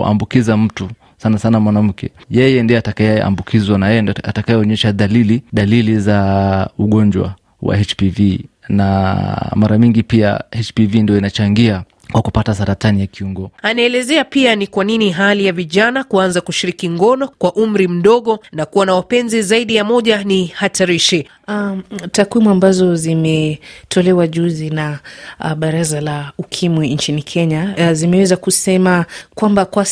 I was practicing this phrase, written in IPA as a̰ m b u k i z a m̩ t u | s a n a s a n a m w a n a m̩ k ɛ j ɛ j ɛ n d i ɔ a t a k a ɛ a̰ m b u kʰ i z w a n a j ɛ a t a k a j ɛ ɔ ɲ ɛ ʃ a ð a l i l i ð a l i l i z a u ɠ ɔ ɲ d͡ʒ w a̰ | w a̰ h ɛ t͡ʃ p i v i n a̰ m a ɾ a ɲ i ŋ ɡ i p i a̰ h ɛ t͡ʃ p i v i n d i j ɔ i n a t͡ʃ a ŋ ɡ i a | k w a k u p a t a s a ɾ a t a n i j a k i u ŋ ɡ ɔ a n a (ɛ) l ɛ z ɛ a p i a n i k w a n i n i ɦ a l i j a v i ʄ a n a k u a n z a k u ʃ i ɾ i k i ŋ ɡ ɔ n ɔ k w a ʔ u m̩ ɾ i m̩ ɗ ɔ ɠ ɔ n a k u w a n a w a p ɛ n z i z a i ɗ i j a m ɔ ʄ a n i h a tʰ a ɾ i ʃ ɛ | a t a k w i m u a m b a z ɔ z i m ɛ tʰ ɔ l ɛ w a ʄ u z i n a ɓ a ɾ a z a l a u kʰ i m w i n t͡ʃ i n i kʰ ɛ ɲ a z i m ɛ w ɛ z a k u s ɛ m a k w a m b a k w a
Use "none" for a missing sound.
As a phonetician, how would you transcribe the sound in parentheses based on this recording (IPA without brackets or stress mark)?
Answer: ɛ